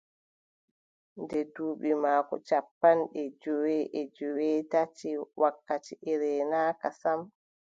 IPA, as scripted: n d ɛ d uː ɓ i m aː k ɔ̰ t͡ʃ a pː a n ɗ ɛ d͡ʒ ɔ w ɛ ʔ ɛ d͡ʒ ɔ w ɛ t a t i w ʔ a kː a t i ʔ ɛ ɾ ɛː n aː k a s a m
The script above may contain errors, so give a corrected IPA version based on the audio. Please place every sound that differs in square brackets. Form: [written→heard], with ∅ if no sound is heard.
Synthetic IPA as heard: n d ɛ d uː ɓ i m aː k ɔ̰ t͡ʃ a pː a n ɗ ɛ d͡ʒ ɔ w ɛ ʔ ɛ d͡ʒ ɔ w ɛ t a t i w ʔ a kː a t i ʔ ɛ ɾ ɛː n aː k a s a m

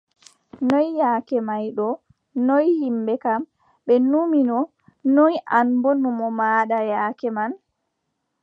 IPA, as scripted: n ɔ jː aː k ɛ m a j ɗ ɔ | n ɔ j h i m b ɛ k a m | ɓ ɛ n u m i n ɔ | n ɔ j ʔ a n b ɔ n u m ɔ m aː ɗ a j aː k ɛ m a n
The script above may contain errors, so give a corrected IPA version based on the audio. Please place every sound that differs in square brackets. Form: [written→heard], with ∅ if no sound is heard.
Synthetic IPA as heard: n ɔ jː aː k ɛ m a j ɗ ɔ | n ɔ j h i m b ɛ k a m | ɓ ɛ n u m i n ɔ | n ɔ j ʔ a n b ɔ n u m ɔ m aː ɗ a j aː k ɛ m a n

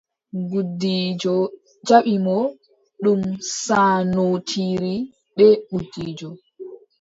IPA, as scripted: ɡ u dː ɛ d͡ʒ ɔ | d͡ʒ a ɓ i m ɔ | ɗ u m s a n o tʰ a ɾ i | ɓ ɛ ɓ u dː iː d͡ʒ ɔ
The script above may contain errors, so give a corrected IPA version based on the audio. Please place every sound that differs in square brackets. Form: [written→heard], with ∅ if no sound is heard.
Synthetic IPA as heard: ɡ u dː [ɛ→i] d͡ʒ ɔ | d͡ʒ a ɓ i m ɔ | ɗ u m s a n o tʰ [a→i] ɾ i | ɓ ɛ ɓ u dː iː d͡ʒ ɔ

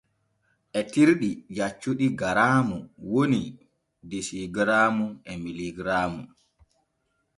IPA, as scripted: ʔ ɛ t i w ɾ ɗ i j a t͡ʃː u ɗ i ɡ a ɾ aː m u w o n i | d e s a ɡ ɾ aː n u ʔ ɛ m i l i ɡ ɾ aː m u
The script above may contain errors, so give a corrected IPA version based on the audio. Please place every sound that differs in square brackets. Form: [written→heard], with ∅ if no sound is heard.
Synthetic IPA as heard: ʔ ɛ t i [w→∅] ɾ ɗ i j a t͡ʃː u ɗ i ɡ a ɾ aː m u w o n i | d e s [a→i] ɡ ɾ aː [n→m] u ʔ ɛ m i l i ɡ ɾ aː m u

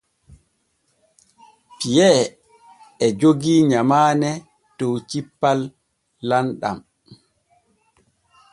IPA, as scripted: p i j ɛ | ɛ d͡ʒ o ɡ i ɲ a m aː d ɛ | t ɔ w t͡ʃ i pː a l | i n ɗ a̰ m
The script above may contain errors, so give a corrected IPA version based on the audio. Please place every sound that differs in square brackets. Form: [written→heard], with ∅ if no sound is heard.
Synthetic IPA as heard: p i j ɛ | ɛ d͡ʒ o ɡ i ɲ a m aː [d→n] ɛ | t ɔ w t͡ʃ i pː a [l→lː] | [i→a] n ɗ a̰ m

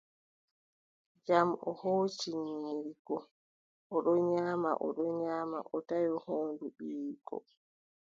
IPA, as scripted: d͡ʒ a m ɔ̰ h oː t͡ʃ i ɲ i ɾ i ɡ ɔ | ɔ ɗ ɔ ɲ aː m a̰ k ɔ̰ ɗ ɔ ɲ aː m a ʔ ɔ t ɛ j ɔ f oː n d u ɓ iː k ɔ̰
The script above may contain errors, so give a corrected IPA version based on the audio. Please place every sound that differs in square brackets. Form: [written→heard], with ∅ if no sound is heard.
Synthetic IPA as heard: d͡ʒ a m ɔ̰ h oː t͡ʃ i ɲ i ɾ i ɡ ɔ | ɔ ɗ ɔ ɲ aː m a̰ [k→ʔ] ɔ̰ ɗ ɔ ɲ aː m a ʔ ɔ t [ɛ→a] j ɔ [f→h] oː n d u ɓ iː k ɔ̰

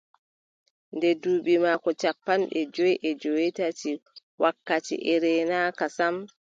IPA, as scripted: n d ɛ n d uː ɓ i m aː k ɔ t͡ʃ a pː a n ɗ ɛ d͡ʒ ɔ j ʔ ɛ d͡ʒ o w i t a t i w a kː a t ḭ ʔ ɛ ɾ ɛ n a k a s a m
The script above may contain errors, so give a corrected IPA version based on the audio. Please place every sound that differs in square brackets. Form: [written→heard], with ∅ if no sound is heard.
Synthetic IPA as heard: n d ɛ [n→∅] d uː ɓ i m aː k ɔ t͡ʃ a pː a n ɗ ɛ d͡ʒ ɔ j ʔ ɛ d͡ʒ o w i t a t i w a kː a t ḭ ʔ ɛ ɾ ɛ n a k a s a m

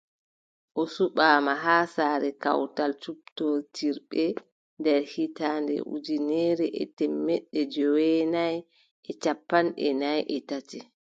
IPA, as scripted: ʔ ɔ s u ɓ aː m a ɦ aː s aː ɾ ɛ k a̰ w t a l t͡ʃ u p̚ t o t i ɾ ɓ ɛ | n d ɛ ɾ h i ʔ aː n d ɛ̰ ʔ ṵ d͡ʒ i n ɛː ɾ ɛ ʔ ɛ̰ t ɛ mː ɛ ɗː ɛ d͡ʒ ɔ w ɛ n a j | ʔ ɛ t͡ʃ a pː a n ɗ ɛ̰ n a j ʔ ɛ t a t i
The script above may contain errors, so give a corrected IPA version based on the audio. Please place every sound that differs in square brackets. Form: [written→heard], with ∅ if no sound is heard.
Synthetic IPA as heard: ʔ ɔ s u ɓ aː m a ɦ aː s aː ɾ ɛ k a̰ w t a l t͡ʃ u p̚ t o t i ɾ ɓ ɛ | n d ɛ ɾ h i [ʔ→t] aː n d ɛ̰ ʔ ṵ d͡ʒ i n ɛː ɾ ɛ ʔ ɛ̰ t ɛ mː ɛ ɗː ɛ d͡ʒ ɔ w ɛ n a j | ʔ ɛ t͡ʃ a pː a n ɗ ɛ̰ n a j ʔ ɛ t a t i

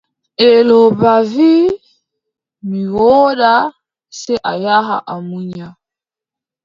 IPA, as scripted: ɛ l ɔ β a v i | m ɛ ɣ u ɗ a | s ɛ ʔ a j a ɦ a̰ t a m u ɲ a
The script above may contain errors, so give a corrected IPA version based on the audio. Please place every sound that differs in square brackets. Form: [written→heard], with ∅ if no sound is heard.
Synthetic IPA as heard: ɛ l ɔ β a v i | m [ɛ→i] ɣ [u→ɔ] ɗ a | s ɛ ʔ a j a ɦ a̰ [t→ʔ] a m u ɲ a

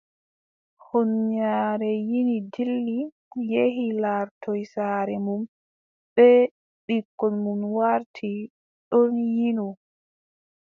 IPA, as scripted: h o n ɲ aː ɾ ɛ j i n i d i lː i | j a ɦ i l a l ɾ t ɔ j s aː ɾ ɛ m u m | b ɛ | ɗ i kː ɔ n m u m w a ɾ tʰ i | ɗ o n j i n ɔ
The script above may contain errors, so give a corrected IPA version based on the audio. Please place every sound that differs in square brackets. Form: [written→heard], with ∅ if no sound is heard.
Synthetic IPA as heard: h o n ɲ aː ɾ ɛ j i n i d i lː i | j [a→e] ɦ i l a [l→∅] ɾ t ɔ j s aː ɾ ɛ m u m | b ɛ | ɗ i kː ɔ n m u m w a ɾ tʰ i | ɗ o n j i n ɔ

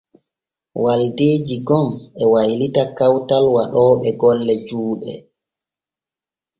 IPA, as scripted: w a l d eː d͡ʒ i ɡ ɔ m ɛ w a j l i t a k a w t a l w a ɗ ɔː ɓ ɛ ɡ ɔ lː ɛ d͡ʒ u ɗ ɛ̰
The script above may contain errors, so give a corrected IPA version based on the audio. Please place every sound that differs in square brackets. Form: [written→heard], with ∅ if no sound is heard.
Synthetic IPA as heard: w a l d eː d͡ʒ i ɡ ɔ m ɛ w a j l i t a k a w t a l w a ɗ ɔː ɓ ɛ ɡ ɔ lː ɛ d͡ʒ [u→uː] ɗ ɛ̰

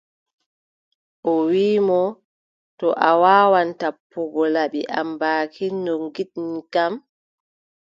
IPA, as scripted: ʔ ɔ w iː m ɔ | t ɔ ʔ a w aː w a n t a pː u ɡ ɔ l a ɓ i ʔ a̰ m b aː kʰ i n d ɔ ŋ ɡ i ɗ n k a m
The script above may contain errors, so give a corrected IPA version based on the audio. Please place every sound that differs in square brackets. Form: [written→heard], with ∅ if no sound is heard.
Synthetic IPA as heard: ʔ ɔ w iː m ɔ | t ɔ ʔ a w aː w a n t a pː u ɡ ɔ l a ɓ i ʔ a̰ m b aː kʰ i n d ɔ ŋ ɡ i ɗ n k a m

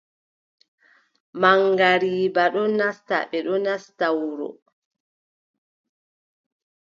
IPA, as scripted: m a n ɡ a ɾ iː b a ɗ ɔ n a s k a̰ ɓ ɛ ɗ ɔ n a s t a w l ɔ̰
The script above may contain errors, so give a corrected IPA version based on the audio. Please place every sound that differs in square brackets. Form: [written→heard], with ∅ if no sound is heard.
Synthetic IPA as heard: m a [n→ŋ] ɡ a ɾ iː b a ɗ ɔ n a s [k→t] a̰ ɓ ɛ ɗ ɔ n a s t a w [l→ɾ] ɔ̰

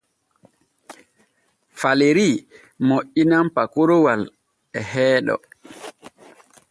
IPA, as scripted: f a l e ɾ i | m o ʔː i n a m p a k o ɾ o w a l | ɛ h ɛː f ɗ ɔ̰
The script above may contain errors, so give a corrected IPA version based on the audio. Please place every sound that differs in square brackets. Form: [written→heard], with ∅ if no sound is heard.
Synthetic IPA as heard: f a l e ɾ i | m o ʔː i n a m p a k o ɾ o w a l | ɛ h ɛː [f→∅] ɗ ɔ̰

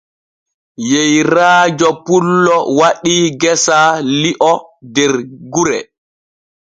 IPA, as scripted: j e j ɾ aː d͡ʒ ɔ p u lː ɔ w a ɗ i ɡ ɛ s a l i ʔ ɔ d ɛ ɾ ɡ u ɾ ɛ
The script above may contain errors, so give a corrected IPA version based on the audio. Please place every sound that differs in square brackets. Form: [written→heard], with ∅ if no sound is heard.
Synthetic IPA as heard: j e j ɾ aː d͡ʒ ɔ p u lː ɔ w a ɗ i ɡ ɛ s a l i ʔ ɔ d ɛ ɾ ɡ u ɾ ɛ

